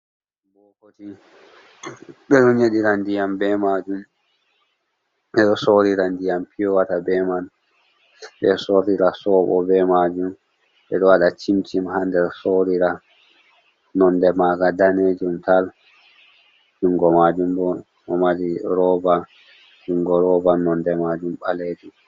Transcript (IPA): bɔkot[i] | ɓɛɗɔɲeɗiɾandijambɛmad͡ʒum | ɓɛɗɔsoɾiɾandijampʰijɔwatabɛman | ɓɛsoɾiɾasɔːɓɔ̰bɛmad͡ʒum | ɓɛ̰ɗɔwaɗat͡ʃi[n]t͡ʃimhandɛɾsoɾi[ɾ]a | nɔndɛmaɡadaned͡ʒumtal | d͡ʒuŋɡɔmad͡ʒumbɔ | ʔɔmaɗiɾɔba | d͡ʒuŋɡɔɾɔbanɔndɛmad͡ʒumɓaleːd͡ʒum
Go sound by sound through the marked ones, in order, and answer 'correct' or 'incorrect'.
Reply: correct, incorrect, correct

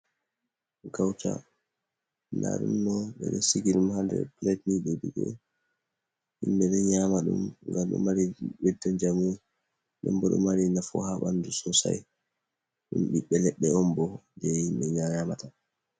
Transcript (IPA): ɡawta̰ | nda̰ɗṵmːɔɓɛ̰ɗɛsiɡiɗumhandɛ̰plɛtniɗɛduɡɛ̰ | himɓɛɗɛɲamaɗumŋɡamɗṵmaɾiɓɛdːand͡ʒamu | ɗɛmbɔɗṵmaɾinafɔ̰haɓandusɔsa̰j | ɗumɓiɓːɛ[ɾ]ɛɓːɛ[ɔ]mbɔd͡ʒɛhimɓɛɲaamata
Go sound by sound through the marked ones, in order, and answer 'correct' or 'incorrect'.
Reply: incorrect, correct

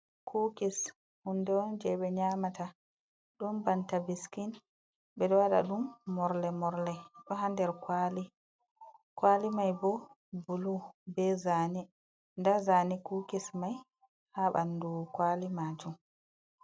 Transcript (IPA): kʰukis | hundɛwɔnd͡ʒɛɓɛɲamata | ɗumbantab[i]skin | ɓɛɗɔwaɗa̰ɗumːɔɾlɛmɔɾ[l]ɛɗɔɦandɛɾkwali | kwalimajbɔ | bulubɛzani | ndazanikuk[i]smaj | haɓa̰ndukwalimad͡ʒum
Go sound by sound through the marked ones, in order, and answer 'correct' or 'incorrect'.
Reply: correct, correct, correct

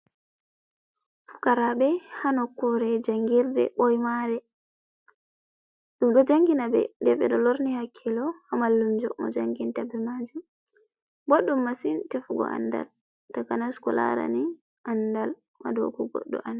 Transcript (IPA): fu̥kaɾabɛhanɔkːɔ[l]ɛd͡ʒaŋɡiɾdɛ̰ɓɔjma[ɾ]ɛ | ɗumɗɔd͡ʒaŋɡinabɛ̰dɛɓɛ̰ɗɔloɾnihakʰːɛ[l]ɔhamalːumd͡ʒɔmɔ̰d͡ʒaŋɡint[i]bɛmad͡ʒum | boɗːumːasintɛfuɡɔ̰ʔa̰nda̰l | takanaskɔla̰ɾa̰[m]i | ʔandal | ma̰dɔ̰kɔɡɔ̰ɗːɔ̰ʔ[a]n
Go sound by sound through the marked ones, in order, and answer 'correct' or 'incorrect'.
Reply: incorrect, correct, correct, incorrect, incorrect, correct

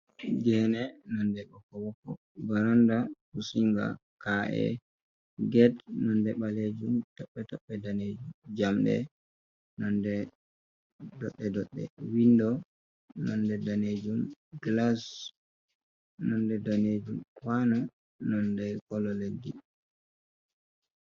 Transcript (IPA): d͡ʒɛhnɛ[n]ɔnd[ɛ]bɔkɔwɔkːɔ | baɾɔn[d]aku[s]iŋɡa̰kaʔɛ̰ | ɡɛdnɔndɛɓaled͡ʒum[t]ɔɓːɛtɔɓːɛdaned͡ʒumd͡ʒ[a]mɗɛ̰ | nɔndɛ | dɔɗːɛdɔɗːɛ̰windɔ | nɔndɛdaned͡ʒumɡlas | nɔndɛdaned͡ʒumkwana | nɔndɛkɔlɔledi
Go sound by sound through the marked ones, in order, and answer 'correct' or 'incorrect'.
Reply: correct, correct, correct, correct, correct, correct

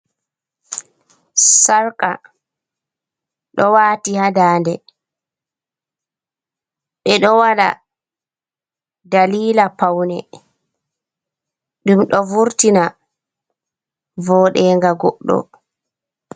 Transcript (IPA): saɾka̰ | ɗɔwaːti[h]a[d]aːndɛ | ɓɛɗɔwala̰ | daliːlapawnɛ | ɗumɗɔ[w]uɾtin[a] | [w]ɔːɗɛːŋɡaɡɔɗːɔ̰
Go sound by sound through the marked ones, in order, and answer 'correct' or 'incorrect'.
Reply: correct, correct, incorrect, correct, incorrect

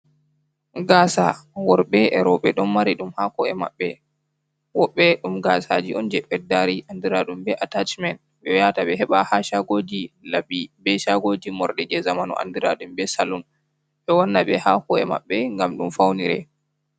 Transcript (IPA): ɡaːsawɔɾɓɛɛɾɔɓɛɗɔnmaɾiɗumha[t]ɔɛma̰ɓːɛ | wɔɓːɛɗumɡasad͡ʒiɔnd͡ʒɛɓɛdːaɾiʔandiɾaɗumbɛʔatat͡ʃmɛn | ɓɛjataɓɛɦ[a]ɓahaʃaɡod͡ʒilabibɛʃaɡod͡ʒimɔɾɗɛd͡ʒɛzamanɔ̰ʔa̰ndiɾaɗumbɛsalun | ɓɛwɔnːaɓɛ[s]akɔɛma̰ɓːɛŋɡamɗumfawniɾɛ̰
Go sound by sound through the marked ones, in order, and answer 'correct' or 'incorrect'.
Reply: incorrect, incorrect, incorrect

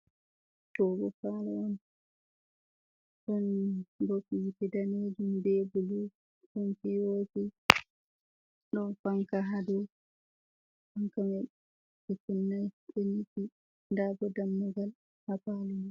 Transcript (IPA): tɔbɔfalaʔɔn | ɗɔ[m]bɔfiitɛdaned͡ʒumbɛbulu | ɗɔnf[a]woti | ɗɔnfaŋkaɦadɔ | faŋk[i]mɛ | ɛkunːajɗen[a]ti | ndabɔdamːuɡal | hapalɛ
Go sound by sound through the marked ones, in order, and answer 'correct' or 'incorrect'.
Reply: incorrect, incorrect, incorrect, incorrect

